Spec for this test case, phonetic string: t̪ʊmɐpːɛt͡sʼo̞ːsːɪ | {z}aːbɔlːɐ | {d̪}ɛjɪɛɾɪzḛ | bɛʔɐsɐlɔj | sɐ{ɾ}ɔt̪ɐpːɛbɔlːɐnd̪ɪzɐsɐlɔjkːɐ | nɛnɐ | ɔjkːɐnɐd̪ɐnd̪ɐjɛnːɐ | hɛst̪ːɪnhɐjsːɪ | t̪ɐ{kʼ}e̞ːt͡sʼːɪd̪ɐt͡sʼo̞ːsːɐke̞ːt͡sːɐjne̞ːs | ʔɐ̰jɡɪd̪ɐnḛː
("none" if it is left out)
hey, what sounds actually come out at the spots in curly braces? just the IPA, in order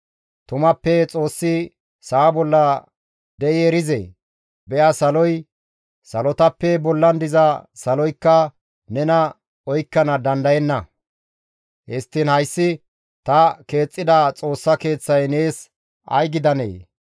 s, d̪, l, k

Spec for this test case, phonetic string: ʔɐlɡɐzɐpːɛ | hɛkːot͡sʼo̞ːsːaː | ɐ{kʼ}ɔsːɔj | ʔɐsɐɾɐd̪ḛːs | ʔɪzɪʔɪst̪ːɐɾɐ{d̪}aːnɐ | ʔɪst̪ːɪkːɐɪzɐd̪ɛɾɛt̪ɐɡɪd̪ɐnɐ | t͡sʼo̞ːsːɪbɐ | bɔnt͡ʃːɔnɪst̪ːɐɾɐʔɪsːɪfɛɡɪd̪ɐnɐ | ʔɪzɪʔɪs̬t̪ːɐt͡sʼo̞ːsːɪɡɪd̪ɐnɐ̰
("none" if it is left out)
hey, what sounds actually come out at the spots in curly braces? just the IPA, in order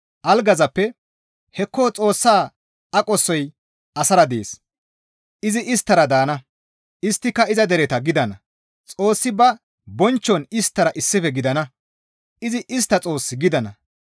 kʼ, d̪

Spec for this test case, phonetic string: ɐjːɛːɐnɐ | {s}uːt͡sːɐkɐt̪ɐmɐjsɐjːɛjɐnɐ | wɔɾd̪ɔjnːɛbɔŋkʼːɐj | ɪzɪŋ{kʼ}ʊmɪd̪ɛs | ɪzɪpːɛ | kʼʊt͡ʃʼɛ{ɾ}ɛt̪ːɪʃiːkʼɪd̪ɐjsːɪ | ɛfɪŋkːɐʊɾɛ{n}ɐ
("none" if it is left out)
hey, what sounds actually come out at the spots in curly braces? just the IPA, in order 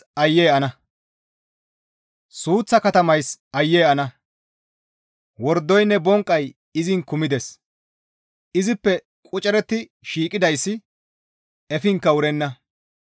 s, k, ɾ, nː

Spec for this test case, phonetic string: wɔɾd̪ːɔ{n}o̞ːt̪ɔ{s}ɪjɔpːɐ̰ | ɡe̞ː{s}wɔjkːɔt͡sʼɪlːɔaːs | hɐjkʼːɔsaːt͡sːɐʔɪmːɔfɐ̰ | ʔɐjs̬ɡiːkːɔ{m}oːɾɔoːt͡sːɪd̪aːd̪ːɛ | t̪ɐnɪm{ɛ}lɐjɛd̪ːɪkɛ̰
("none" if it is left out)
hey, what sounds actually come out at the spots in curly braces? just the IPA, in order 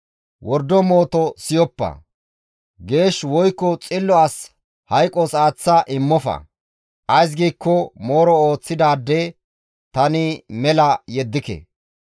m, s, ʃ, m, ɛ

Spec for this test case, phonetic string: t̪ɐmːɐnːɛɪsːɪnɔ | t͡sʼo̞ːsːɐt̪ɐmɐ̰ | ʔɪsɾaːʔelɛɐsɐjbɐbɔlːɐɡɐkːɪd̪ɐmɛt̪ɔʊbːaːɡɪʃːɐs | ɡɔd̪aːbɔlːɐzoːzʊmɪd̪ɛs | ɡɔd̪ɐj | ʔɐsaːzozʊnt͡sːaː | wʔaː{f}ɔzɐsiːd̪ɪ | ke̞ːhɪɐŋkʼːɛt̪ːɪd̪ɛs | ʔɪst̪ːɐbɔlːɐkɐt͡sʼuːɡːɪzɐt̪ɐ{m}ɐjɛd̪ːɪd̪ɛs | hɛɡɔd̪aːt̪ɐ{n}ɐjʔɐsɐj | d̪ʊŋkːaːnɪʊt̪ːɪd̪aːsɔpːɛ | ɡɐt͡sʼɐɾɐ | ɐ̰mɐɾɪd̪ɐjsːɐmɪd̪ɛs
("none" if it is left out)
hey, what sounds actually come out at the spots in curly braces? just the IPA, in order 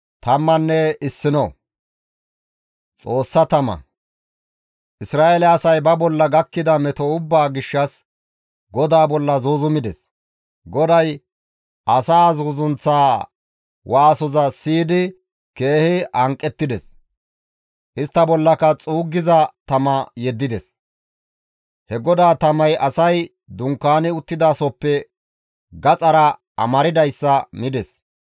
s, m, m

